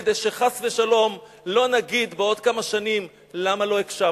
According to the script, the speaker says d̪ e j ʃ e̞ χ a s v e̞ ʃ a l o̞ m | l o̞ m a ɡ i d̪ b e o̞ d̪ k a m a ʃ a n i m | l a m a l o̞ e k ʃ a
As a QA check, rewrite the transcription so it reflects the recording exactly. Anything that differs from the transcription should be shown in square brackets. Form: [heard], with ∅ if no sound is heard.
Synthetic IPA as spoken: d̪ e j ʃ e̞ χ a s v e̞ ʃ a l o̞ m | l o̞ [n] a ɡ i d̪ b e o̞ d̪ k a m a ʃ a n i m | l a m a l o̞ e k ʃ a